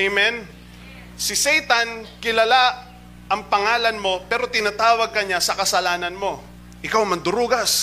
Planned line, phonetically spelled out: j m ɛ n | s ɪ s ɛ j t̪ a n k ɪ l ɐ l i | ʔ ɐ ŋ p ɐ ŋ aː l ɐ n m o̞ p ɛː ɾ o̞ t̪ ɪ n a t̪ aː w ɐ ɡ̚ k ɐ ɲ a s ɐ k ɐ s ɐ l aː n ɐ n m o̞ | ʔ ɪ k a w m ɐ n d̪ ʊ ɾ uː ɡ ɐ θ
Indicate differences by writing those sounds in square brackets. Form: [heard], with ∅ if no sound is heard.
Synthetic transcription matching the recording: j m ɛ n | s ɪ s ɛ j t̪ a n k ɪ l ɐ l [a] | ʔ ɐ ŋ p ɐ ŋ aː l ɐ n m o̞ p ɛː ɾ o̞ t̪ ɪ n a t̪ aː w ɐ ɡ̚ k ɐ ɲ a s ɐ k ɐ s ɐ l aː n ɐ n m o̞ | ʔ ɪ k a w m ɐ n d̪ ʊ ɾ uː ɡ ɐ [s]